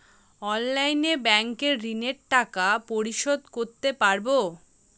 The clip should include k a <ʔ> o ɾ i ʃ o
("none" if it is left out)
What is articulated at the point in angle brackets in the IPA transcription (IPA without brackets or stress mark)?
p